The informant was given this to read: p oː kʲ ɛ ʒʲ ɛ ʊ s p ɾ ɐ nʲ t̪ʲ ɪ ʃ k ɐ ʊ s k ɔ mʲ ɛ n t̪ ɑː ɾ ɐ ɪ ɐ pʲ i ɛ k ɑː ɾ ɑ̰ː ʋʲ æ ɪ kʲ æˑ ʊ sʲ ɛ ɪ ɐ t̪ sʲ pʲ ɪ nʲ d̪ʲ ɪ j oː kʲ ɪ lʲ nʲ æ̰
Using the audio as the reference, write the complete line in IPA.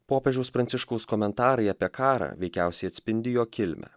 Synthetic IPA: p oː pʲ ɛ ʒʲ ɛ ʊ s p ɾ ɐ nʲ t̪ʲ ɪ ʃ k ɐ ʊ s k ɔ mʲ ɛ n t̪ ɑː ɾ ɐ ɪ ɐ pʲ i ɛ k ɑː ɾ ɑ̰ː ʋʲ ɛ ɪ kʲ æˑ ʊ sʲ ɛ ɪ ɐ t̪ sʲ pʲ ɪ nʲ d̪ʲ ɪ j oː kʲ ɪ lʲ mʲ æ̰